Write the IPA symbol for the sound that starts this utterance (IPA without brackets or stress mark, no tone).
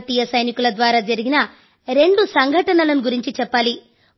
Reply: t̪